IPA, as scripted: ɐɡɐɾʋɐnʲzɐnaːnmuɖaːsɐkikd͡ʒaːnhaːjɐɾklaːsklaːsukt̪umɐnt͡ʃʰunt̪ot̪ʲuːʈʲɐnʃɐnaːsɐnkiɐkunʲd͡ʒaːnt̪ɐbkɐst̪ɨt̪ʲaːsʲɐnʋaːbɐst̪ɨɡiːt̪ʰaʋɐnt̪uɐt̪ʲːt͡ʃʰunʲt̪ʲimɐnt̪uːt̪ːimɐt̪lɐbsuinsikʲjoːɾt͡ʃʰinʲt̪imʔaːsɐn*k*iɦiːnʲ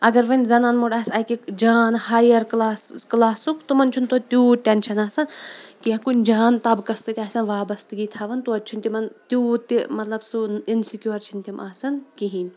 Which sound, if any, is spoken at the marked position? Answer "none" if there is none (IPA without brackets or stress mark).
k